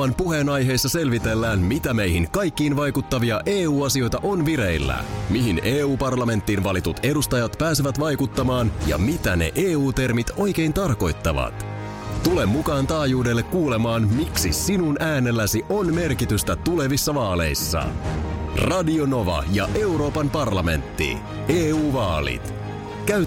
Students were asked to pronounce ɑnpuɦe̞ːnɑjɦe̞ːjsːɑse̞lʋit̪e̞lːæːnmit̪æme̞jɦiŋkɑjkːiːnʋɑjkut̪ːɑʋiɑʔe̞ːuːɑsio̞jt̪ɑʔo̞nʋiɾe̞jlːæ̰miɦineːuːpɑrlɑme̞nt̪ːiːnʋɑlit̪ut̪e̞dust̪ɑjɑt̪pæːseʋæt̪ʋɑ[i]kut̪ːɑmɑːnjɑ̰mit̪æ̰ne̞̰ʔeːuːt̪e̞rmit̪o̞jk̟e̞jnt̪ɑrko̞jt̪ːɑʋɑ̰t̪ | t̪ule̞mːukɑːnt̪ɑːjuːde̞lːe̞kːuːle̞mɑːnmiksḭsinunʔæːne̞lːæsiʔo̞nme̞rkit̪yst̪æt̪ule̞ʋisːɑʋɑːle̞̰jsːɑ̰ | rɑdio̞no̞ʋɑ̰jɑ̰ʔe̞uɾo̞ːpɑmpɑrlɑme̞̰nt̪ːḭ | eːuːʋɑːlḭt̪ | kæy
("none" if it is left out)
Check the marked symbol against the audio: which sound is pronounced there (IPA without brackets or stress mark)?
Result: j